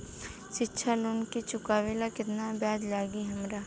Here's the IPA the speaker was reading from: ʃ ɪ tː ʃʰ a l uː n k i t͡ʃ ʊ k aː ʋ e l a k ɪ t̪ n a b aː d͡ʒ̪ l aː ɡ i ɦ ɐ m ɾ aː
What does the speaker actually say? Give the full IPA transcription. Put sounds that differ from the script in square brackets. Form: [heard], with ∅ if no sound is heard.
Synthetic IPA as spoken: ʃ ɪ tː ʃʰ a l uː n k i t͡ʃ ʊ k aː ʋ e l a k ɪ t̪ n a b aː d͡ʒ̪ l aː ɡ i ɦ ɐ m ɾ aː